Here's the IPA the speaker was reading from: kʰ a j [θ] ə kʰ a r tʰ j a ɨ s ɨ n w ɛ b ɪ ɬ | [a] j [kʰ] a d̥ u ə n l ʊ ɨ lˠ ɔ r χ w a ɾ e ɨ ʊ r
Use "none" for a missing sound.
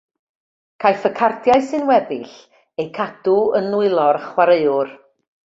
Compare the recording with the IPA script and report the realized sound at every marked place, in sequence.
f, e, kʰ

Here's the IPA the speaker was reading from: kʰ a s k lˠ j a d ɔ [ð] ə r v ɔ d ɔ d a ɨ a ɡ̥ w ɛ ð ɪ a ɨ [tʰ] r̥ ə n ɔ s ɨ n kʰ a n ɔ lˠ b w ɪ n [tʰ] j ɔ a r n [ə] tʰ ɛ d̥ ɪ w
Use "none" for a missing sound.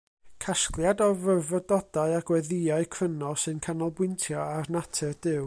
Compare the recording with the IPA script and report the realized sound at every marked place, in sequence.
v, kʰ, tʰ, a

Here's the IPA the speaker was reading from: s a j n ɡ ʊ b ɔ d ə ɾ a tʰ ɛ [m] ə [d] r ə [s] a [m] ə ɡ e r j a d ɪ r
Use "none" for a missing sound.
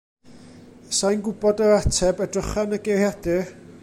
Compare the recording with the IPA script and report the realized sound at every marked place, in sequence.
b, d, χ, n

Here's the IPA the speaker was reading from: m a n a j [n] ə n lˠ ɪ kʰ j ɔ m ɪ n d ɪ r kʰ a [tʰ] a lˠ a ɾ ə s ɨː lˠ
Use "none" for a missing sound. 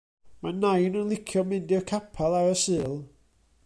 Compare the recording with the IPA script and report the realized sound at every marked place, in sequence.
n, pʰ

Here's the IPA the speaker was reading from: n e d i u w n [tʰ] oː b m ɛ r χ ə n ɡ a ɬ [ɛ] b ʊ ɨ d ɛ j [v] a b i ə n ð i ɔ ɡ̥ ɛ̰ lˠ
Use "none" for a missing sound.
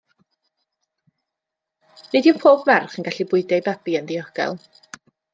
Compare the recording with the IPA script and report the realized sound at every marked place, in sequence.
pʰ, i, b

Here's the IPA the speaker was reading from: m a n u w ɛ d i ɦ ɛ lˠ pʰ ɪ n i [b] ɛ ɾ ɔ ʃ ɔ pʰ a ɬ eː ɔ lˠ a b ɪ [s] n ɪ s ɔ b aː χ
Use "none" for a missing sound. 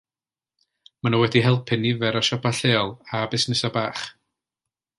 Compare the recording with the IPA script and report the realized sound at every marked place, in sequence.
v, s

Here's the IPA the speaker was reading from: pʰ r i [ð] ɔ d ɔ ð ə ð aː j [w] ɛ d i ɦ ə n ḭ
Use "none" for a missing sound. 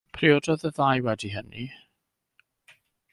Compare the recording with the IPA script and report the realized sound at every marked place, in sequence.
none, w

